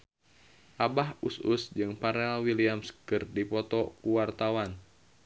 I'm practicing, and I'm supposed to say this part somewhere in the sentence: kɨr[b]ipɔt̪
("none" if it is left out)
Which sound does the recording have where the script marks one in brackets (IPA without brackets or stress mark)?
d